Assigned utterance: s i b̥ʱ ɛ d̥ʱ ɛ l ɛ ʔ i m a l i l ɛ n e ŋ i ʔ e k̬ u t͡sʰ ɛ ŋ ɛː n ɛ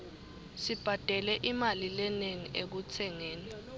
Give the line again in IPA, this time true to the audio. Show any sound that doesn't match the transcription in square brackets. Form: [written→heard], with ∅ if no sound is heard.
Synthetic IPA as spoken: s i b̥ʱ [ɛ→a] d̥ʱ ɛ l ɛ ʔ i m a l i l ɛ n e ŋ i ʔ e k̬ u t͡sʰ ɛ ŋ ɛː n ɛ

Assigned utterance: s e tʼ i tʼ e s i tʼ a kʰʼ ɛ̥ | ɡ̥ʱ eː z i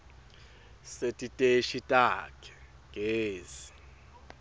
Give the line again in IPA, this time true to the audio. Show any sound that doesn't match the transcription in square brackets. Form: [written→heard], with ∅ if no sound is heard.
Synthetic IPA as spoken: s e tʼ i tʼ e [s→ʃ] i tʼ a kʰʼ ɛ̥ | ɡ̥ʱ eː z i

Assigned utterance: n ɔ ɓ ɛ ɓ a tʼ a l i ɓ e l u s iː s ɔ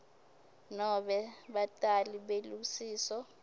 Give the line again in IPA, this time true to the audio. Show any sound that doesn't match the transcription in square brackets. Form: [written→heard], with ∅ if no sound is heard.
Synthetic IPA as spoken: n ɔ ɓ ɛ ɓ a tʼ a l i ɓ e l u s iː s ɔ

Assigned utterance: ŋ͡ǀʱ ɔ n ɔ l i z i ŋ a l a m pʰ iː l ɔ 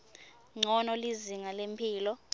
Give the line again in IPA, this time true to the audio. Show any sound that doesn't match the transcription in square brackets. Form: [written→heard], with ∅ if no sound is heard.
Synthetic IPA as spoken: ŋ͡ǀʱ ɔ n ɔ l i z i ŋ a l [a→e] m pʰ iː l ɔ

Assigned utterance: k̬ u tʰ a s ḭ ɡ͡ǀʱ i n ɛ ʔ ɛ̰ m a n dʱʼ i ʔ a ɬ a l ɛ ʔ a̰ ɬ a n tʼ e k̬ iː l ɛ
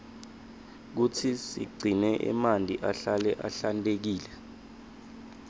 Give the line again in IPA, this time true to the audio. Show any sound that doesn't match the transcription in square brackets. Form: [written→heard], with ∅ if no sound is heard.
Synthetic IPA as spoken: k̬ u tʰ [a→i] s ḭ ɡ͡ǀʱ i n ɛ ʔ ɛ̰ m a n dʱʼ i ʔ a ɬ a l ɛ ʔ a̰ ɬ a n tʼ e k̬ iː l ɛ

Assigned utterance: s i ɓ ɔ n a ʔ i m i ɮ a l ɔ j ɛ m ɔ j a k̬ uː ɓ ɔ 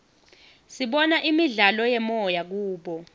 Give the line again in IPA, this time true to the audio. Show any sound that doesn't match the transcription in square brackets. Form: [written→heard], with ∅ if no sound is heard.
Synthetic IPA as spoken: s i ɓ ɔ n a ʔ i m i ɮ a l ɔ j ɛ m ɔ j a k̬ uː ɓ ɔ

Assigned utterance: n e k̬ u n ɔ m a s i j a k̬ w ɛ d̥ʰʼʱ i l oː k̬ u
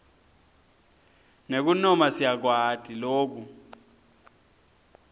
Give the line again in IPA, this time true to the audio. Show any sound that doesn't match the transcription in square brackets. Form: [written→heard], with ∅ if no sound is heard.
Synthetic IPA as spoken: n e k̬ u n ɔ m a s i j a k̬ w [ɛ→a] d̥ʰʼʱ i l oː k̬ u

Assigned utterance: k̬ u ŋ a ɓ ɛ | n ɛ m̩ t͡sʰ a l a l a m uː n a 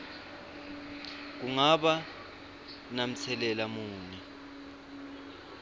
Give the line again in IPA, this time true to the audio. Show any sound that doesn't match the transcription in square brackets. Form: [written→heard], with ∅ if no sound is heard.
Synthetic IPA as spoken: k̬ u ŋ a ɓ [ɛ→a] | n [ɛ→a] m̩ t͡sʰ [a→ɛ] l [a→ɛ] l a m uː n [a→i]

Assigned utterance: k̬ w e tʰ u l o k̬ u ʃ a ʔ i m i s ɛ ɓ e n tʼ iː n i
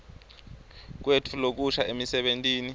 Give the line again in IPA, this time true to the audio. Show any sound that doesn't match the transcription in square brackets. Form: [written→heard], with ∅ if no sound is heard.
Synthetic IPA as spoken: k̬ w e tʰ u l o k̬ u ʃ a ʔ [i→e] m i s ɛ ɓ e n tʼ iː n i

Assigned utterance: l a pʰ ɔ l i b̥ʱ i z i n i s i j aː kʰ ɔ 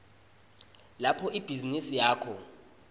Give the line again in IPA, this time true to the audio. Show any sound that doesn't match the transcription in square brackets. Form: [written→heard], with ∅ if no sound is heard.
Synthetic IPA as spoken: l a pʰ ɔ [l→∅] i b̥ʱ i z i n i s i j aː kʰ ɔ

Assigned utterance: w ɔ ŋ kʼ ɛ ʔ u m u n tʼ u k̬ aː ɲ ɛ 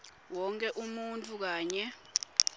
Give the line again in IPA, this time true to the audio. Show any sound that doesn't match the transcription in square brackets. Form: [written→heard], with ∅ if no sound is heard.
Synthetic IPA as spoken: w ɔ ŋ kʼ ɛ ʔ u m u n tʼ u k̬ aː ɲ ɛ

